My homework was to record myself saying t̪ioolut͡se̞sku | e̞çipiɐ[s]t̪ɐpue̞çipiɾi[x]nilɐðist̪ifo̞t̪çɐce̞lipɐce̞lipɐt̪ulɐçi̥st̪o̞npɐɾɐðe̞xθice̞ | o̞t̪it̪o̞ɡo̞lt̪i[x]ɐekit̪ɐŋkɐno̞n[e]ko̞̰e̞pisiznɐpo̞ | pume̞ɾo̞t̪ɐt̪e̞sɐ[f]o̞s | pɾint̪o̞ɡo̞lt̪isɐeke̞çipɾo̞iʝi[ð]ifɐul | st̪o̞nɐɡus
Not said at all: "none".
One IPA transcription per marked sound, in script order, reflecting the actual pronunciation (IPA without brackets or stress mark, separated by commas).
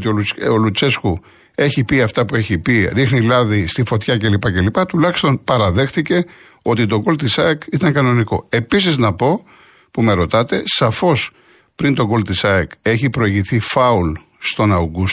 f, x, s, i, f, θ